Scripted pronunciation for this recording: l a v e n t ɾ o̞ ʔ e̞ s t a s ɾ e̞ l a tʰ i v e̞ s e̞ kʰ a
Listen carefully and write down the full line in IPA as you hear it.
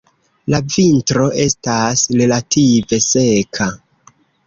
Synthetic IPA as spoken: l a v i n t ɾ o̞ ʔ e̞ s t a s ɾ e̞ l a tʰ i v e̞ s e̞ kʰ a